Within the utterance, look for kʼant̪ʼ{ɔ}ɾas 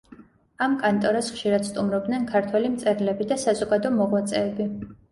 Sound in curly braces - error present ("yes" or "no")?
no